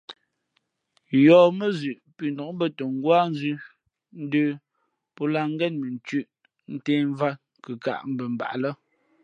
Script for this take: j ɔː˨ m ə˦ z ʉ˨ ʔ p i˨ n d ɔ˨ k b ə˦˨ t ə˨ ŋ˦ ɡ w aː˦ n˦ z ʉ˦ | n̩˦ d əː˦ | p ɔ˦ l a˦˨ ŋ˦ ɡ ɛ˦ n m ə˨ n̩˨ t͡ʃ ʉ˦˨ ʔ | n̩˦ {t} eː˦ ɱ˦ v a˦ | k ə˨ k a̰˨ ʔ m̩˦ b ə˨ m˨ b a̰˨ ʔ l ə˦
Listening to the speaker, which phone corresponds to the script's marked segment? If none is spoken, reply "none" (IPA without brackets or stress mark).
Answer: t